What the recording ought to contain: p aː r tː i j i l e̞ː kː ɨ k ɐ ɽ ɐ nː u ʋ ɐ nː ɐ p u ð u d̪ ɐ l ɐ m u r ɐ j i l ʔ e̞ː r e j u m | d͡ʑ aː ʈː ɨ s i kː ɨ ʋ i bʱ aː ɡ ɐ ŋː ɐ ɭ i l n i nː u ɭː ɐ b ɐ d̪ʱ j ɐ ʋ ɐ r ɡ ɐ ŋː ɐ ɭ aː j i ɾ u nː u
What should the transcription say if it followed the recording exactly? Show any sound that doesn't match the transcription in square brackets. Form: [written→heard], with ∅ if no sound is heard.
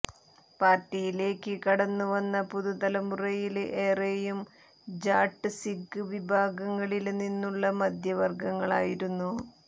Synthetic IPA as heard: p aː r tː i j i l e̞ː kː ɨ k ɐ ɽ ɐ nː u ʋ ɐ nː ɐ p u ð u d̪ ɐ l ɐ m u r ɐ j i l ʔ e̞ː r e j u m | d͡ʑ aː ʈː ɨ s i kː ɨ ʋ i bʱ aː ɡ ɐ ŋː ɐ ɭ i l n i nː u ɭː ɐ [b→m] ɐ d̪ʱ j ɐ ʋ ɐ r ɡ ɐ ŋː ɐ ɭ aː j i ɾ u nː u